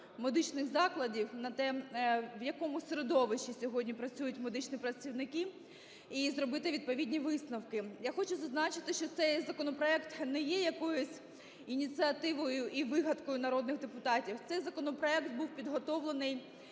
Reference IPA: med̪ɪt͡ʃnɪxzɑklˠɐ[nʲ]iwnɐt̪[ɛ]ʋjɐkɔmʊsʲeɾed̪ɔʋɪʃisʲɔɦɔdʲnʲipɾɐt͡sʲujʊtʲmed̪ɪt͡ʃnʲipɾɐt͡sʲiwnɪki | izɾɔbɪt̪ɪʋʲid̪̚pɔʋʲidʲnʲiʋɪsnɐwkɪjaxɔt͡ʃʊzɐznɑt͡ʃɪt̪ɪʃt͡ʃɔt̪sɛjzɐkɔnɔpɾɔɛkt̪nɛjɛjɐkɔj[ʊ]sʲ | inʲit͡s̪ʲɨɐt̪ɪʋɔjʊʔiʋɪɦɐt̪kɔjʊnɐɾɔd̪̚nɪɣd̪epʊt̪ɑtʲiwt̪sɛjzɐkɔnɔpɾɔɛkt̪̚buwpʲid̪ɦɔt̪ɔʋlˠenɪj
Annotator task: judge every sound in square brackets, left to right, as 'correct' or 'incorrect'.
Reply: incorrect: dʲ, correct, correct

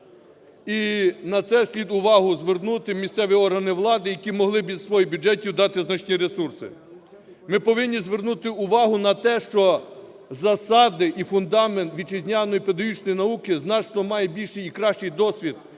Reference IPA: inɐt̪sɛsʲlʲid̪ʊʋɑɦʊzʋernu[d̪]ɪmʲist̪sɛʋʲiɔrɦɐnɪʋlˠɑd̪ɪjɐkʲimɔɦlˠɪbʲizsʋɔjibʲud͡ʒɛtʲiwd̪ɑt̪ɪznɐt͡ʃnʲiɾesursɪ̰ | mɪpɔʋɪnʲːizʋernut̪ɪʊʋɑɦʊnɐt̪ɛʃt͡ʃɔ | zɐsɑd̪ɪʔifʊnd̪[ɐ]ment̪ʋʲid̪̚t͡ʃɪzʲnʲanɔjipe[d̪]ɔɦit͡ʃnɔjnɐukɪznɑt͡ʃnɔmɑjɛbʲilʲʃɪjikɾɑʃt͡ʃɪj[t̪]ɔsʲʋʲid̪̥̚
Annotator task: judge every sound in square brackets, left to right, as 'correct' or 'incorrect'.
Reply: incorrect: t̪, incorrect: ɑ, correct, incorrect: d̪

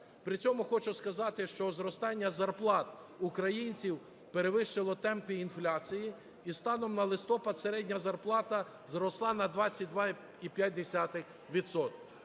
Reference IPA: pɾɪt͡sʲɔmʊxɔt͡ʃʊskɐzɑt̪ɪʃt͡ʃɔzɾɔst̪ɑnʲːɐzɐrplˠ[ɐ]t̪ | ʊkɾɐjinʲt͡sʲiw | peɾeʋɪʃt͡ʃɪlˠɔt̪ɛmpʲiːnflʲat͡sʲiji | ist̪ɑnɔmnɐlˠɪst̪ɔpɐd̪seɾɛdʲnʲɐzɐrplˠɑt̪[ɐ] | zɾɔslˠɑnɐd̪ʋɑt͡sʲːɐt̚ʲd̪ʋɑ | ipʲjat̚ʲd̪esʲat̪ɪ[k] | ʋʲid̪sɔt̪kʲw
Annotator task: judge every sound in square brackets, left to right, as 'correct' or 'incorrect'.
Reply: incorrect: ɑ, correct, incorrect: x

